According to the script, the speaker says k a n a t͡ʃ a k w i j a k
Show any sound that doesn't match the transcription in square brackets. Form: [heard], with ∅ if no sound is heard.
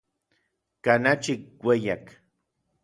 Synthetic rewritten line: k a n a t͡ʃ [i] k w [e] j a k